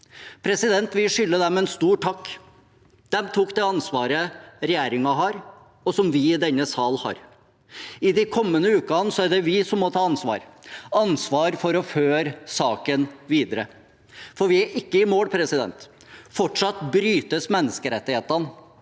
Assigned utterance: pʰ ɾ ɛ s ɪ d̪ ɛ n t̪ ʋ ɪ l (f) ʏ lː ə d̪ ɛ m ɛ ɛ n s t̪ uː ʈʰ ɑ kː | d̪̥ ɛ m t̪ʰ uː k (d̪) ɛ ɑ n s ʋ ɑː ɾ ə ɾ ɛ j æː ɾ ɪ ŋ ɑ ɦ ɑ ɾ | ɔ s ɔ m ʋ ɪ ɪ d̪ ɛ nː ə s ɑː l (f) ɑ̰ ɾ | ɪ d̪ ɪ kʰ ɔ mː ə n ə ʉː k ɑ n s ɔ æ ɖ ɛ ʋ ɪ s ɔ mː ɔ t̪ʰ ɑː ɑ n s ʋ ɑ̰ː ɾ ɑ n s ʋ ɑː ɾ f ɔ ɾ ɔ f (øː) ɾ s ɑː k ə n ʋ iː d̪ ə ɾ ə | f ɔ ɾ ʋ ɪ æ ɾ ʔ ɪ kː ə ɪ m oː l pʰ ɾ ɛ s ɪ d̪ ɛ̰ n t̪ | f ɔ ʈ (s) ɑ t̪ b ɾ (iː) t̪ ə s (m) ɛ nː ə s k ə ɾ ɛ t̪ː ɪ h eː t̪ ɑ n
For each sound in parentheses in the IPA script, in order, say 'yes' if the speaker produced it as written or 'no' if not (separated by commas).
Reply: no, yes, no, yes, no, no, yes